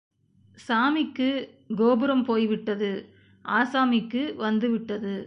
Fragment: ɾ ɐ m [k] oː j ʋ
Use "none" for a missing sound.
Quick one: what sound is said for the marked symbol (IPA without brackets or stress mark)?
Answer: p